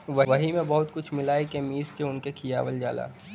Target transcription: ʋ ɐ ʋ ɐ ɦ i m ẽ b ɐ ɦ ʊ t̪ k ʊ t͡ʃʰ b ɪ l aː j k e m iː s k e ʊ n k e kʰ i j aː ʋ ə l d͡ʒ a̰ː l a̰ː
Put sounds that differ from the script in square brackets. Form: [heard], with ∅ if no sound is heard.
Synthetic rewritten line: ʋ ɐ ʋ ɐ ɦ i m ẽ b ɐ ɦ ʊ t̪ k ʊ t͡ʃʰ [m] ɪ l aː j k e m iː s k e ʊ n k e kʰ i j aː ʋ ə l d͡ʒ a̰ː l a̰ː

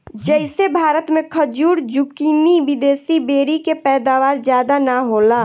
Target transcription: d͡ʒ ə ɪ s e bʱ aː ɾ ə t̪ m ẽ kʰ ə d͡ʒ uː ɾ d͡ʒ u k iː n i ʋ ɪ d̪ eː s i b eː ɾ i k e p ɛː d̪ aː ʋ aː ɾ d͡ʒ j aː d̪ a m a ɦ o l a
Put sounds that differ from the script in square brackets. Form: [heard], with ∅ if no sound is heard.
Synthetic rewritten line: d͡ʒ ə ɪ s e bʱ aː ɾ ə t̪ m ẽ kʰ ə d͡ʒ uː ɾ d͡ʒ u k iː n i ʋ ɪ d̪ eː s i b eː ɾ i k e p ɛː d̪ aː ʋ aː ɾ d͡ʒ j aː d̪ a [n] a ɦ o l a

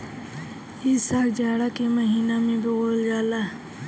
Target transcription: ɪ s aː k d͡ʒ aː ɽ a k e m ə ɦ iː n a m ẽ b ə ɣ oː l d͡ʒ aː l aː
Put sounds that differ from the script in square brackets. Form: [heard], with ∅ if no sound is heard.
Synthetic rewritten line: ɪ s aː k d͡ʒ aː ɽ a k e m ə ɦ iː n a m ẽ b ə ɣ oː l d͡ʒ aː l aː

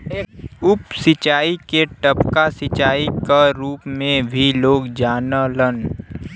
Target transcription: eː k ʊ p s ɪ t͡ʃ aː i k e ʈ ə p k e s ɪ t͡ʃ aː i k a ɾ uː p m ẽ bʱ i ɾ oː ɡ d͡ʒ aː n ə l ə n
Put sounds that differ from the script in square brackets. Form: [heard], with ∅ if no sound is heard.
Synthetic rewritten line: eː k ʊ p s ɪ t͡ʃ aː i k e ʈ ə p k [a] s ɪ t͡ʃ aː i k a ɾ uː p m ẽ bʱ i [l] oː ɡ d͡ʒ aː n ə l ə n

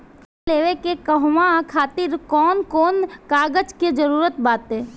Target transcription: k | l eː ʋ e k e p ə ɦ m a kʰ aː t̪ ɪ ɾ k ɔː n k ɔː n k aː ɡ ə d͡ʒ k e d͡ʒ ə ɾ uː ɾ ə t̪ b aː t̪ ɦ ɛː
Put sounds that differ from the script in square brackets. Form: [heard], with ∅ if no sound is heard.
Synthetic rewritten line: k | l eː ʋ e k e [k] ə ɦ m a kʰ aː t̪ ɪ ɾ k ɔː n k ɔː n k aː ɡ ə d͡ʒ k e d͡ʒ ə ɾ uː ɾ ə t̪ b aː t̪ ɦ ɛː

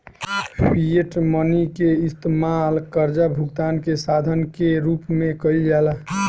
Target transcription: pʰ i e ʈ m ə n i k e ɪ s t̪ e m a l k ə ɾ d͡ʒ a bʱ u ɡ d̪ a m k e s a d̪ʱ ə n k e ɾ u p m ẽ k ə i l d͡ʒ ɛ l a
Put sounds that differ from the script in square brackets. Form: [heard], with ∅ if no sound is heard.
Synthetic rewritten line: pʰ i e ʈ m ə n i k e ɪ s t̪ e m a l k ə ɾ d͡ʒ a bʱ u ɡ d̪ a [n] k e s a d̪ʱ ə n k e ɾ u p m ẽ k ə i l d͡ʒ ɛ l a

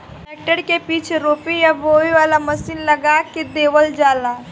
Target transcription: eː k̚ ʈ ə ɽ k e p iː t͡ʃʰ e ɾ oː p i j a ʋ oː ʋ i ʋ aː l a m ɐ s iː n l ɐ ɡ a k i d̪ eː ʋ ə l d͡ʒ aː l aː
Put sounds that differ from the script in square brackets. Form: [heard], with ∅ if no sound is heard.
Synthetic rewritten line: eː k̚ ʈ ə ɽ k e p iː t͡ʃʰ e ɾ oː p i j a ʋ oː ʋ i ʋ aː l a m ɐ s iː n l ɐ ɡ a k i d̪ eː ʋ ə l d͡ʒ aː l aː

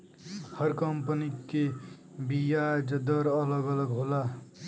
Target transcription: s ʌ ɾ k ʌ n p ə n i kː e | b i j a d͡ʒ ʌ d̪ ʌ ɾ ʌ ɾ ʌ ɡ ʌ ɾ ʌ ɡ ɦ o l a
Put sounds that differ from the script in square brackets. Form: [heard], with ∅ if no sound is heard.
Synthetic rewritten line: [h] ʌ ɾ k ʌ [m] p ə n i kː e | b i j a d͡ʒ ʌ d̪ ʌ ɾ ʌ [l] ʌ ɡ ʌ [l] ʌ ɡ ɦ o l a

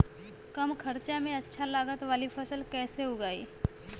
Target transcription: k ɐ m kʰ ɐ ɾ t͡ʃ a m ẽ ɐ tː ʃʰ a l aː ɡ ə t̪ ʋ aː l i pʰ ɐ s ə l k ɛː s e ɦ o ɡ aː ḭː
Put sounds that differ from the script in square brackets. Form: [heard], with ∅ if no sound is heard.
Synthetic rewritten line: k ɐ m kʰ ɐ ɾ t͡ʃ a m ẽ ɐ tː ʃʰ a l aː ɡ ə t̪ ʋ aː l i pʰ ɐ s ə l k ɛː s e ɦ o ɡ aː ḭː

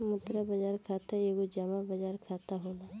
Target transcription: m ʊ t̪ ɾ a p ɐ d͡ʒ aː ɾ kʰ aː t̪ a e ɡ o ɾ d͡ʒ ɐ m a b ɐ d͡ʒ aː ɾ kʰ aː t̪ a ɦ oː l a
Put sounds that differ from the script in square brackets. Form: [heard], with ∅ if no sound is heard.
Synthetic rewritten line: m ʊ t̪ ɾ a [b] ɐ d͡ʒ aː ɾ kʰ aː t̪ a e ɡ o [∅] d͡ʒ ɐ m a b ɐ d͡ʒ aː ɾ kʰ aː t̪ a ɦ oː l a

